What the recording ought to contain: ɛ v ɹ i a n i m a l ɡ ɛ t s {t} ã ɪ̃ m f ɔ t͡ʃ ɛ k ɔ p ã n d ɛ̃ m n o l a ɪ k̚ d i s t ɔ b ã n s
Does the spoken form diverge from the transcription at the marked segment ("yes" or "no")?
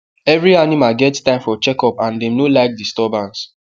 no